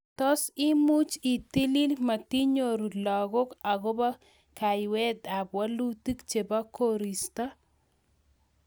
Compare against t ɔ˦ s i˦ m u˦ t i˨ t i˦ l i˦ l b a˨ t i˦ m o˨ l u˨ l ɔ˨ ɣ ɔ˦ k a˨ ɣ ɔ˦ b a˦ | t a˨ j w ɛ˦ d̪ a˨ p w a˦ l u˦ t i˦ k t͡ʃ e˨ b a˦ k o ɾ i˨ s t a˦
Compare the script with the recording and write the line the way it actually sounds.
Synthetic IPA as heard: t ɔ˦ s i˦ m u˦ t͡ʃ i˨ t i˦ l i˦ l m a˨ t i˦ ɲ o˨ ɾ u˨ l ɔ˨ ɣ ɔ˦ k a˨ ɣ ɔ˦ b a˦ | k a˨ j w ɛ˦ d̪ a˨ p w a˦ l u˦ t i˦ k t͡ʃ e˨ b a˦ k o ɾ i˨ s t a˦